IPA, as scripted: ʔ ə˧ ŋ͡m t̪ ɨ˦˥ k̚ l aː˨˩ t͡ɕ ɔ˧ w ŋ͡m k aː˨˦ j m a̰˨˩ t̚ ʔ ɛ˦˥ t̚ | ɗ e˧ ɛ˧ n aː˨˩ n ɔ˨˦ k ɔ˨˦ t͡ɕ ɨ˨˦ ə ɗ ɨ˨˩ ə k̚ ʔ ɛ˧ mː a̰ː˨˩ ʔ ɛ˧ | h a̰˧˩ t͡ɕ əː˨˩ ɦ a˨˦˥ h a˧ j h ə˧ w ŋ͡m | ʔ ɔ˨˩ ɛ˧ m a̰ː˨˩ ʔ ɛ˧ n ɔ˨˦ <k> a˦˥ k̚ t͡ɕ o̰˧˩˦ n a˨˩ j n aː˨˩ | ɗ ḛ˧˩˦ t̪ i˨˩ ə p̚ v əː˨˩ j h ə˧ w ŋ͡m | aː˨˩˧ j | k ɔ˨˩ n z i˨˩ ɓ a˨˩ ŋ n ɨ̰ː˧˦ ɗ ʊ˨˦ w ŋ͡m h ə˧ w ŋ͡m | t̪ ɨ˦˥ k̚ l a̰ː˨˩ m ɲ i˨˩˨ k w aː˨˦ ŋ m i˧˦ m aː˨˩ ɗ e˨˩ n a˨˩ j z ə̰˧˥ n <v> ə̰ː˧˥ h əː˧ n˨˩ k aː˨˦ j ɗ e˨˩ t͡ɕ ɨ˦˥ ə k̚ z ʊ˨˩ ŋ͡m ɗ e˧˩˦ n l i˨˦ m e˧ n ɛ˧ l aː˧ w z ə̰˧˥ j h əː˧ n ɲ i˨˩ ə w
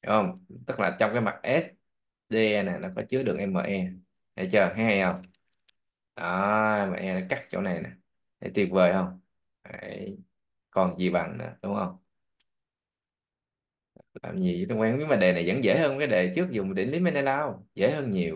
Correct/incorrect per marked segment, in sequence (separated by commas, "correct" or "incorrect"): correct, incorrect